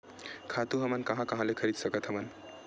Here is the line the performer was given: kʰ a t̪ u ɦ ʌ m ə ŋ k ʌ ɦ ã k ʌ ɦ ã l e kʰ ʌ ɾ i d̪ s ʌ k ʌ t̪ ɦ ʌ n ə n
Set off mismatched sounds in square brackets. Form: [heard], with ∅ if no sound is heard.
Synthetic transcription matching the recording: kʰ a t̪ u ɦ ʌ m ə [n] k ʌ ɦ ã k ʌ ɦ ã l e kʰ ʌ ɾ i d̪ s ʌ k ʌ t̪ ɦ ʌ [m] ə n